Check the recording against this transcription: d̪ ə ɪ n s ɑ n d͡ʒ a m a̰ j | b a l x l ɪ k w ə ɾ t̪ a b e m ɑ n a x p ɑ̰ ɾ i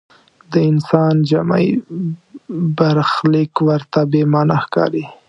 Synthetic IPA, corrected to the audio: d̪ ə ɪ n s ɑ n d͡ʒ a m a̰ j | b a ɾ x l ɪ k w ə ɾ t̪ a b e m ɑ n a x k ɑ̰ ɾ i

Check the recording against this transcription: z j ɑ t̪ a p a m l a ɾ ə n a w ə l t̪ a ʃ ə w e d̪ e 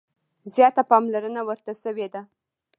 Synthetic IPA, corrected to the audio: z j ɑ t̪ a p ɑ m l a ɾ ə n a w ə ɾ t̪ a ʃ ə w e d̪ a

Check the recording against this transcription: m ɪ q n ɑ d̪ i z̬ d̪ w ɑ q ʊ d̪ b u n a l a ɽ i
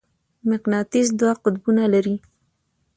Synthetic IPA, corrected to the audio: m ɪ q n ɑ t̪ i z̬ d̪ w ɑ q ʊ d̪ b u n a l a ɾ i

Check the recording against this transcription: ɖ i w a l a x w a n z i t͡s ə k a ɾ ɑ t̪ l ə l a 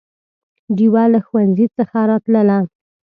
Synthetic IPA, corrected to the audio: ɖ i w a l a x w a n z i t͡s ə x a ɾ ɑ t̪ l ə l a

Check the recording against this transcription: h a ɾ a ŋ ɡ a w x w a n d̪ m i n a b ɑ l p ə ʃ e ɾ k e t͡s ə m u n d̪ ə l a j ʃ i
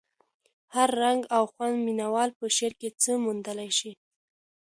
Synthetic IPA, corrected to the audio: h a ɾː a ŋ ɡ a w x w a n d̪ m i n a w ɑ l p ə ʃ e ɾ k e t͡s ə m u n d̪ ə l a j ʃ i

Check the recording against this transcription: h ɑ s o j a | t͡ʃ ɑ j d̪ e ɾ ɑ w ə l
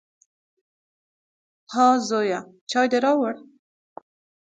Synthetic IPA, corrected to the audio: h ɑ z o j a | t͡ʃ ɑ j d̪ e ɾ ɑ w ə ɽ

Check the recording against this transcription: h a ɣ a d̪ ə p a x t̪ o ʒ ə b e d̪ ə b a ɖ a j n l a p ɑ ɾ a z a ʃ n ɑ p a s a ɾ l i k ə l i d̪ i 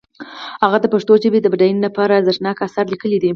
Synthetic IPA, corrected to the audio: h a ɣ a d̪ ə p a ʂ t̪ o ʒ ə b e d̪ ə b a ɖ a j n l a p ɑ ɾ a z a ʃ n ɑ k a s a ɾ l i k ə l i d̪ i

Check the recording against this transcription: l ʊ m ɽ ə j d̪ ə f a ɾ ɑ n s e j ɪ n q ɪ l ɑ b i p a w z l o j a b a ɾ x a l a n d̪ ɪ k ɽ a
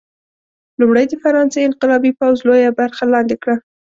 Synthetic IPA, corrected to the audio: l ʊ m ɽ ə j d̪ ə f a ɾ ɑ n s e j ɪ n q ɪ l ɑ b i p a w z l o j a b a ɾ x a l ɑ n d̪ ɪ k ɽ a

